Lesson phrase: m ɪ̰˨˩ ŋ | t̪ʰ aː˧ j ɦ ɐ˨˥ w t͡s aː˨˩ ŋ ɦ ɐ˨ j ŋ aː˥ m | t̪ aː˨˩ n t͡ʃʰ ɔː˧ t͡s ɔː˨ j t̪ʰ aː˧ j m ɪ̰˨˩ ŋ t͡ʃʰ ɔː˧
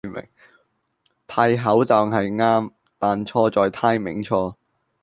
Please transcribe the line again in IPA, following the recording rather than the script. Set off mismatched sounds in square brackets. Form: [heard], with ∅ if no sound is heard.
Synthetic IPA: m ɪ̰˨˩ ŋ | t̪ʰ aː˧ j ɦ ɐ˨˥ w t͡s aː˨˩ ŋ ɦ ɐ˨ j ŋ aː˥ m | t̪ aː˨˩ n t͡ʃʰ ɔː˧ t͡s ɔː˨ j t̪ʰ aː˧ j m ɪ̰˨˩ ŋ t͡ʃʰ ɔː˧